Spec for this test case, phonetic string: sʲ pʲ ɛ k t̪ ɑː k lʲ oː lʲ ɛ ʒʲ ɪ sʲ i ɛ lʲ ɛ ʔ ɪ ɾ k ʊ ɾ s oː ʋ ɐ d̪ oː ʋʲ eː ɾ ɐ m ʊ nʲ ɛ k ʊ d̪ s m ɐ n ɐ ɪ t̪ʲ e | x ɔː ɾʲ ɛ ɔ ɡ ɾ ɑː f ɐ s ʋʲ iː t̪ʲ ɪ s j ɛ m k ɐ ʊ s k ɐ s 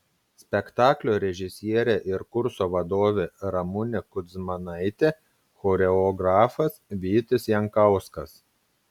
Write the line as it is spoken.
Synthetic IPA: sʲ pʲ ɛ k t̪ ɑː k lʲ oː ɾʲ ɛ ʒʲ ɪ sʲ i ɛ ɾʲ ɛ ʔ ɪ ɾ k ʊ ɾ s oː ʋ ɐ d̪ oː ʋʲ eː ɾ ɐ m ʊ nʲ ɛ k ʊ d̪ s m ɐ n ɐ ɪ t̪ʲ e | x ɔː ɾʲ ɛ ɔ ɡ ɾ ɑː f ɐ s ʋʲ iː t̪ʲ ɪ s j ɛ ŋ k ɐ ʊ s k ɐ s